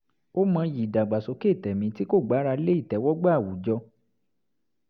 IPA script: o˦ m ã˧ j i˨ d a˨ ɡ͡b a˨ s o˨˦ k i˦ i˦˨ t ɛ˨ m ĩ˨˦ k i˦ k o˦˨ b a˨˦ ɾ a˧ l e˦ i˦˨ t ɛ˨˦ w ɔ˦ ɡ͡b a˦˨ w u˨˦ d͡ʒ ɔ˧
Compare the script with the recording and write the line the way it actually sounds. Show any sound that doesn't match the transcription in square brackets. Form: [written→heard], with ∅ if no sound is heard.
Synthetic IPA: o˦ m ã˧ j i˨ d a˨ ɡ͡b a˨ s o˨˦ k [i˦→e˦] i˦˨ t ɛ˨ m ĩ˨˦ [k→t] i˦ k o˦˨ [b→ɡ͡b] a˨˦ ɾ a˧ l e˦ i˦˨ t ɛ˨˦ w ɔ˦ ɡ͡b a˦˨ w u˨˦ d͡ʒ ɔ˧